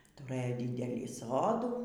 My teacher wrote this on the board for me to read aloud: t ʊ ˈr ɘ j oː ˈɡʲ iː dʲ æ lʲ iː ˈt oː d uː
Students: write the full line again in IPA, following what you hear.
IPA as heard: t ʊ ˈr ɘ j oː ˈdʲ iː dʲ ɛ lʲ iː ˈs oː d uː